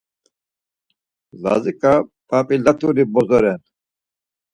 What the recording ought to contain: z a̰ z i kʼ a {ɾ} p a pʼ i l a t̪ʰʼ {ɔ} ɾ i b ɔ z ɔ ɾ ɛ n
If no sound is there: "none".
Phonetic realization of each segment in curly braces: none, u

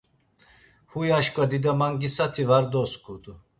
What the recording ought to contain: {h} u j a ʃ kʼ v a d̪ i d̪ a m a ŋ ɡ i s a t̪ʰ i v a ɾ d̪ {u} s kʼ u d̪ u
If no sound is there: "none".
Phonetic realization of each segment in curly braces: h, ɔ

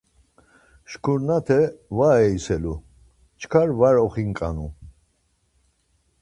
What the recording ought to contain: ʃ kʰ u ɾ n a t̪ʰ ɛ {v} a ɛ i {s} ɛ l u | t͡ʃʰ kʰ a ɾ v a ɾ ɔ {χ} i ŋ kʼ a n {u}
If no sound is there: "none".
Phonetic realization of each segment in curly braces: v, s, χ, u

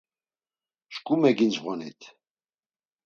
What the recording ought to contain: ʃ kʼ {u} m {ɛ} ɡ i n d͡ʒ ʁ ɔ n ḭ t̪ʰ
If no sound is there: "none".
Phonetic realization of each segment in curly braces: u, ɛ

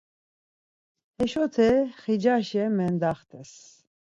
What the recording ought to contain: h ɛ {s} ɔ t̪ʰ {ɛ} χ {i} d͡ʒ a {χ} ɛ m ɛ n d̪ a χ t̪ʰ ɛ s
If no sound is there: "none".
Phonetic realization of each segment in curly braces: ʃ, ɛ, i, ʃ

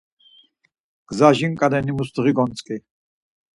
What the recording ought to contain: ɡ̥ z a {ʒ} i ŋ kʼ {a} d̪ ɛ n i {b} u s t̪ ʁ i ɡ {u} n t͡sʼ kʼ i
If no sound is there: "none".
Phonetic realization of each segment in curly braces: ʒ, a, m, ɔ

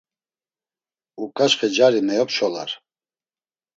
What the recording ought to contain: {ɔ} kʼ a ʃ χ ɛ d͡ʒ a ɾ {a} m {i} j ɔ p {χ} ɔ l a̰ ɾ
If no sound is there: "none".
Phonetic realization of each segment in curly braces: u, i, ɛ, ʃ

